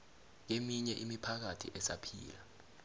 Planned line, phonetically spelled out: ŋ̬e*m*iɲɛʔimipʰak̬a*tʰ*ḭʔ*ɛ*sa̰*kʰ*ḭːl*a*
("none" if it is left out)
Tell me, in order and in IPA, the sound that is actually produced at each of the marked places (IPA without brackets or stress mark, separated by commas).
m, tʰ, ɛ, pʰ, a